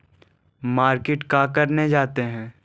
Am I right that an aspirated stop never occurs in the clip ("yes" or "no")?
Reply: yes